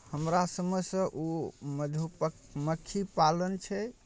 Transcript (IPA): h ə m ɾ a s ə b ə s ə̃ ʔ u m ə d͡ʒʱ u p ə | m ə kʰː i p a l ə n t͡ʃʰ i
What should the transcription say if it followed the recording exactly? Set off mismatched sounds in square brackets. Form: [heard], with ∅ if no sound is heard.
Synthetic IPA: h ə m ɾ a s ə [m] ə s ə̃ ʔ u m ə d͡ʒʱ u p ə | m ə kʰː i p a l ə n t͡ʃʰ [ɛ]

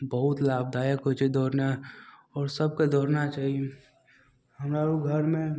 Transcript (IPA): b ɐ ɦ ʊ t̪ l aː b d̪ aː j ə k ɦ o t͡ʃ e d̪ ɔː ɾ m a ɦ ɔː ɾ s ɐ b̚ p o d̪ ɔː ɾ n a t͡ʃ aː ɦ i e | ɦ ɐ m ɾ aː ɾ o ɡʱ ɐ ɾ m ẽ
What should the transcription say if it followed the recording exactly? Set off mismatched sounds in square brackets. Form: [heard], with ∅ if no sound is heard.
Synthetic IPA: b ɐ ɦ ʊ t̪ l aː b d̪ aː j ə k ɦ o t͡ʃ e d̪ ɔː ɾ [n] a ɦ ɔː ɾ s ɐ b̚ [k] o d̪ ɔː ɾ n a t͡ʃ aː ɦ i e | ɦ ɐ m ɾ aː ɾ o ɡʱ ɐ ɾ m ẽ

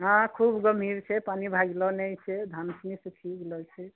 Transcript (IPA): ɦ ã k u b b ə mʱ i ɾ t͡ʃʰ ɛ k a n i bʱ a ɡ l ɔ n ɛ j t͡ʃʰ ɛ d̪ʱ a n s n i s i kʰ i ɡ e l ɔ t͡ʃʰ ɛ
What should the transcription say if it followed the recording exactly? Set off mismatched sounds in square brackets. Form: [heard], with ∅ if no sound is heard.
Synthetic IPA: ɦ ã [kʰ] u b [ɡ] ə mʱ i ɾ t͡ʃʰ ɛ [p] a n i bʱ a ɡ l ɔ n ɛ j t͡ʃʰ ɛ d̪ʱ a n s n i s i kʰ i ɡ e l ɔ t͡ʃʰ ɛ

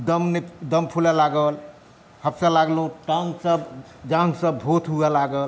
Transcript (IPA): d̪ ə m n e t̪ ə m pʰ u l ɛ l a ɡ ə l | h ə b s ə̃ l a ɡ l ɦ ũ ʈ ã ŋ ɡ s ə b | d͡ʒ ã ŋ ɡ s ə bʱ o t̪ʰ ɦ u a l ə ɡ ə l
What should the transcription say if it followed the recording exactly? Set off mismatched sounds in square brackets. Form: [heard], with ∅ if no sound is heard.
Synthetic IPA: d̪ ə m n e [d̪] ə m pʰ u l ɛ l a ɡ ə l | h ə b s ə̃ l a ɡ l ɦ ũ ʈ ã ŋ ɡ s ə b | d͡ʒ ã ŋ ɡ s ə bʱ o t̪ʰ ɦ u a l [a] ɡ ə l

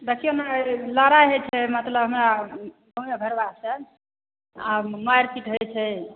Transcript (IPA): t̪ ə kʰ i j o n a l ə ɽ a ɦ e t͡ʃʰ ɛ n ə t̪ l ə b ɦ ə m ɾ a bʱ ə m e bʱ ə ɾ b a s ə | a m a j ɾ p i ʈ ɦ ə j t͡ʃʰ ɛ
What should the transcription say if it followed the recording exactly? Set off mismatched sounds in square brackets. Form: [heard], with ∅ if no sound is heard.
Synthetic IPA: [d̪] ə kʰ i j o n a l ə [ɾ] a ɦ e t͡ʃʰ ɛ [m] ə t̪ l ə b ɦ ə m ɾ a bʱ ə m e bʱ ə ɾ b a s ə | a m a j ɾ p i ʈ ɦ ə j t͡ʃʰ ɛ

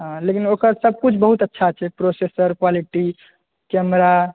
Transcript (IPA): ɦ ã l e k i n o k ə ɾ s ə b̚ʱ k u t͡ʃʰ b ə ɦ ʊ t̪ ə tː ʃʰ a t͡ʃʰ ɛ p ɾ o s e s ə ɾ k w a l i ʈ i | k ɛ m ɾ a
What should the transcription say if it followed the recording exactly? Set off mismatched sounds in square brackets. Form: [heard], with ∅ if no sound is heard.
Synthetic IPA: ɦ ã l e k i n o k ə ɾ s ə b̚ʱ k u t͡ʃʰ b ə ɦ [u] t̪ ə tː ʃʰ a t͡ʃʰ ɛ p ɾ o s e s ə ɾ k w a l i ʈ i | k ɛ m ɾ a

